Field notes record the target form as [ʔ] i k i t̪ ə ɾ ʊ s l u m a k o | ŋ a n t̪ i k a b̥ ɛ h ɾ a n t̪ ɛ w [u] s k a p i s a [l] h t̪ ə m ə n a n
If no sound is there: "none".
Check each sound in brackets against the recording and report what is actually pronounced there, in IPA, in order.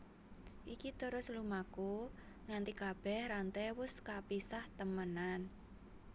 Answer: ʔ, ʊ, none

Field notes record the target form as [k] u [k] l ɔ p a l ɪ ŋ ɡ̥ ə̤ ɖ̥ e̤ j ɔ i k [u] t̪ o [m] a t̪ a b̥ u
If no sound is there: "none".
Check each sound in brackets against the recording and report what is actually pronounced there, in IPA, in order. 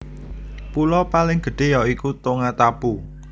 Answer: p, none, u, ŋ

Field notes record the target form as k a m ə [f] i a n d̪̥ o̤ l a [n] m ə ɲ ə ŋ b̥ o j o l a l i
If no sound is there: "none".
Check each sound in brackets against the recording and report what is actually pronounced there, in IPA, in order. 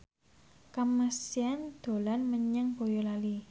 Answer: s, n

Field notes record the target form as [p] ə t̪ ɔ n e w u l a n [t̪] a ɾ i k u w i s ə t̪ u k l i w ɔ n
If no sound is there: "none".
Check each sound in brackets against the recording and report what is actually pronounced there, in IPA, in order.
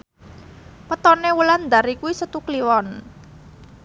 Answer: p, d̪

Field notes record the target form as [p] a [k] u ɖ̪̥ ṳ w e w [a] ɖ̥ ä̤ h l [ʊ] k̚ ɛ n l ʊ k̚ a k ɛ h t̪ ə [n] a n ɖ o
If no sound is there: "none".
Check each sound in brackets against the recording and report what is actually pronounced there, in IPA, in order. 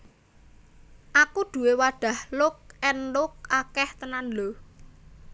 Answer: ʔ, k, a, ʊ, n

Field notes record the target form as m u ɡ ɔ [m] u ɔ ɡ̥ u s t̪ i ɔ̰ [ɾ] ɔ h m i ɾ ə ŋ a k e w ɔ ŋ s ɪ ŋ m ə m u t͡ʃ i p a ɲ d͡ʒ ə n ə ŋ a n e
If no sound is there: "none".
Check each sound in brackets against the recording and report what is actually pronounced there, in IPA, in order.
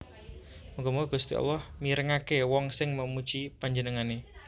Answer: m, l

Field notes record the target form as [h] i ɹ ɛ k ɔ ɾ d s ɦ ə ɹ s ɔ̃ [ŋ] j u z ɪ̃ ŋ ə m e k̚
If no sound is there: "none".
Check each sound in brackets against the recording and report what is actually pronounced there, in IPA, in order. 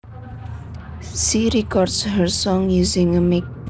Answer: ʃ, ŋ

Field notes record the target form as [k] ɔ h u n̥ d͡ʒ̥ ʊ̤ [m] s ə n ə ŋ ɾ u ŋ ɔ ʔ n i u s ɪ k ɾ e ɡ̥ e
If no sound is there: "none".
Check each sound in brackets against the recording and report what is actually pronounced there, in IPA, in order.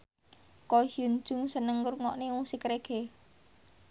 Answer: k, ŋ

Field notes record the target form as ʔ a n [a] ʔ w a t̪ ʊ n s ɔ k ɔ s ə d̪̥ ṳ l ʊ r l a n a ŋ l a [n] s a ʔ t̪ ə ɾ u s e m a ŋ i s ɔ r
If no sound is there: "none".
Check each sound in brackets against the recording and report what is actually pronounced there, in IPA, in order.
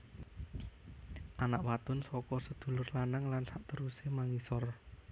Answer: a, n

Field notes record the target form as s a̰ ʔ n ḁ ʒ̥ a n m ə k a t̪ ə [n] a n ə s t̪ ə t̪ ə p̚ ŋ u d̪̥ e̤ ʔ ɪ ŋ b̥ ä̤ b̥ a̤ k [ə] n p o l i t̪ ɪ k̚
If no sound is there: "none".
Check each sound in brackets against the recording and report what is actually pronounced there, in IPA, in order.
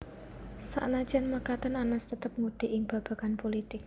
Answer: n, a

